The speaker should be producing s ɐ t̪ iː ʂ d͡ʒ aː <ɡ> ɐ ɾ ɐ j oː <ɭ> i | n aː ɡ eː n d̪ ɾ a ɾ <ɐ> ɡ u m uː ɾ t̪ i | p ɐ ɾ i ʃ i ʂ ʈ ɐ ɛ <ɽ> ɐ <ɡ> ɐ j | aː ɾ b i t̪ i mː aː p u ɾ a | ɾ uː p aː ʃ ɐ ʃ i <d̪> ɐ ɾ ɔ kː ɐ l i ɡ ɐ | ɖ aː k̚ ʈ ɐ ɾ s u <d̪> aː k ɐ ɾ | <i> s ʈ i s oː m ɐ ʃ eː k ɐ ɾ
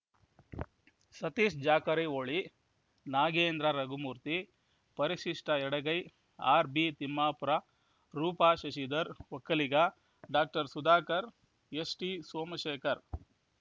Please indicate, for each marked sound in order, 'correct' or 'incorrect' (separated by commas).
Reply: incorrect, correct, correct, correct, correct, correct, correct, incorrect